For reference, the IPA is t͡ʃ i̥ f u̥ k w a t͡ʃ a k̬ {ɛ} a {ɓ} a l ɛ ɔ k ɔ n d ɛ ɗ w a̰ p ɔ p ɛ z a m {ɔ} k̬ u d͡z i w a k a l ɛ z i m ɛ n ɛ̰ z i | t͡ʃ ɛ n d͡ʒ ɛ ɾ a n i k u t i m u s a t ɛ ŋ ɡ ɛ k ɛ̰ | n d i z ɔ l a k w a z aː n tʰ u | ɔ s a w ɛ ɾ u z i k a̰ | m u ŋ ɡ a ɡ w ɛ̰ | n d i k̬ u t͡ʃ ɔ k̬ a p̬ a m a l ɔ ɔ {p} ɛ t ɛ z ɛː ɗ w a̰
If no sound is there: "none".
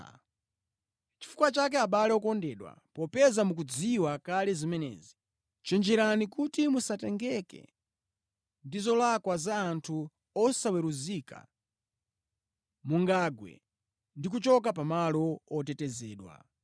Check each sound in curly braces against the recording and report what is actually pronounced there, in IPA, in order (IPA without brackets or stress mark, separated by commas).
ɛ, ɓ, u, t